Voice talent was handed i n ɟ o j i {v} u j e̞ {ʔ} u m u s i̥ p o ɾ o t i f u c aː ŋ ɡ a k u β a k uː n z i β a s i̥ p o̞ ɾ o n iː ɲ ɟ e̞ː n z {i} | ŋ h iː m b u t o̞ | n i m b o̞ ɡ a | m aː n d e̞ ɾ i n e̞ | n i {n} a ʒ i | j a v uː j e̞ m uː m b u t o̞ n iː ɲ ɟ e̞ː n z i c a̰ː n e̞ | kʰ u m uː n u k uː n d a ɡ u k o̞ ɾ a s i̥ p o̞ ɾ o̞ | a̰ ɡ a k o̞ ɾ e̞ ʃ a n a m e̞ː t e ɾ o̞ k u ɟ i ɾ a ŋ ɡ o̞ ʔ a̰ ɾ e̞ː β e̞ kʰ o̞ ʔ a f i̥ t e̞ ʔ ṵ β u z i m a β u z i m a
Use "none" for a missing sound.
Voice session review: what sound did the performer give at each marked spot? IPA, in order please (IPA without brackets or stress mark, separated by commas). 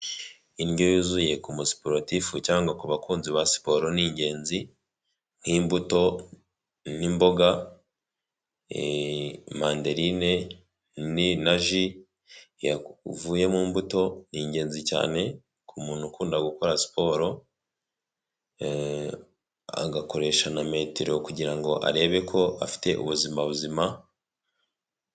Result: z, k, i, n